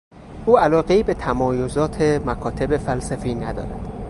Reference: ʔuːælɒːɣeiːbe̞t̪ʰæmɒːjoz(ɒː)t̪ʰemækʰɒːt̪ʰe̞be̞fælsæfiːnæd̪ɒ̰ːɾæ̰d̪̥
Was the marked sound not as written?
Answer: no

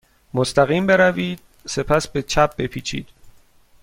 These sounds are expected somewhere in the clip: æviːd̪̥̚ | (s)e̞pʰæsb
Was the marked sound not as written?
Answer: no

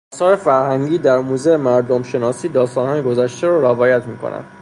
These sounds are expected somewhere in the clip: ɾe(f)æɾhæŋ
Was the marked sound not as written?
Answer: no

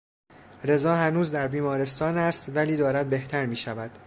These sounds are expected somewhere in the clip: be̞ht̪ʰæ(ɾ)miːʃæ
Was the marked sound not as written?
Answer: no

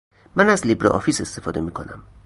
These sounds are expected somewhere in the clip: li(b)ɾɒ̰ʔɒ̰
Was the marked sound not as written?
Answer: no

